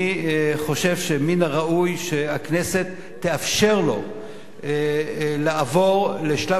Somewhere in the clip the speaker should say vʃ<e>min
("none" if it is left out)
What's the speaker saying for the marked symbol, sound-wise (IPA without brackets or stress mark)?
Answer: e